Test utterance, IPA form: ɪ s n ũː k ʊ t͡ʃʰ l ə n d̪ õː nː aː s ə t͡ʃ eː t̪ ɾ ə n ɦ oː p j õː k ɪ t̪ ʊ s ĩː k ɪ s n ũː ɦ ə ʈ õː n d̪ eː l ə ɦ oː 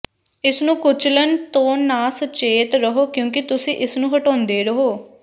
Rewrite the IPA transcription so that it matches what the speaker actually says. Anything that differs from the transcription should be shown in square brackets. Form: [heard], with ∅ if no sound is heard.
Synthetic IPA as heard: ɪ s n ũː k ʊ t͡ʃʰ l ə n [t̪] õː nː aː s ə t͡ʃ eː t̪ ɾ ə [∅] ɦ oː [k] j õː k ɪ t̪ ʊ s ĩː [ʔ] ɪ s n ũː ɦ ə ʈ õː n d̪ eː [ɾ] ə ɦ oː